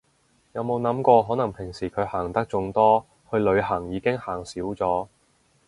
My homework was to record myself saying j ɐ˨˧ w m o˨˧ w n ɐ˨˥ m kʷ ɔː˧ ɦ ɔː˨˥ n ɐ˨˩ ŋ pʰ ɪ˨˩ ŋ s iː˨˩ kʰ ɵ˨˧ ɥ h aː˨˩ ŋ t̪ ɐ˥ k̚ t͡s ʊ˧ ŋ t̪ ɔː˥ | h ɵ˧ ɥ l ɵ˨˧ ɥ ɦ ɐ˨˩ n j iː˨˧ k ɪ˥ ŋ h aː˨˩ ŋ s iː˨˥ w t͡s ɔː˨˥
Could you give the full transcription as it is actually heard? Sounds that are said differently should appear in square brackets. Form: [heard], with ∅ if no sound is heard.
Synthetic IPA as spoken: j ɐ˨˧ w m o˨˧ w n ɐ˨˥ m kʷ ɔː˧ ɦ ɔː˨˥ n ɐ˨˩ ŋ pʰ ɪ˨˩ ŋ s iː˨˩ kʰ ɵ˨˧ ɥ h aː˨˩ ŋ t̪ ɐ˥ k̚ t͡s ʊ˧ ŋ t̪ ɔː˥ | h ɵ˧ ɥ l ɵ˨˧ ɥ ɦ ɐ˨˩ [ŋ] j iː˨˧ k ɪ˥ ŋ h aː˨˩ ŋ s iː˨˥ w t͡s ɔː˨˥